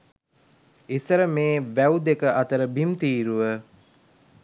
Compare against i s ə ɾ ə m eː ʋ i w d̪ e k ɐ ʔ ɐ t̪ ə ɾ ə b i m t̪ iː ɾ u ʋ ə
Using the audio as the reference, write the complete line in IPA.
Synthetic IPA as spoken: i s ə ɾ ə m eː ʋ æ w d̪ e k ə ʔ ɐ t̪ ə ɾ ə b i m t̪ iː ɾ u ʋ ə